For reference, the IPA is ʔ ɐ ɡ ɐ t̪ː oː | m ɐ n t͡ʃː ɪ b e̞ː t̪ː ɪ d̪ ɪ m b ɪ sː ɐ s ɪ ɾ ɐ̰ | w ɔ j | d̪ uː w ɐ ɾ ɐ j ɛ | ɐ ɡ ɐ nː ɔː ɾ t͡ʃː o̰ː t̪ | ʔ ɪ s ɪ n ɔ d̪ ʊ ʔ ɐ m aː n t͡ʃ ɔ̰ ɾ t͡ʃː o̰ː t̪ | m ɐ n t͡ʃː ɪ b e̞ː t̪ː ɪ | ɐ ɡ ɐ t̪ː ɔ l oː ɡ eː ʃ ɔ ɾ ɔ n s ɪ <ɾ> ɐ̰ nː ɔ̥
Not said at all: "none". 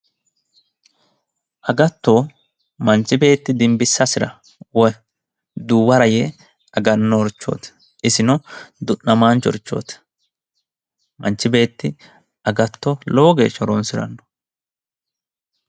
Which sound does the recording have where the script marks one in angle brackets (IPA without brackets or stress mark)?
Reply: ɾ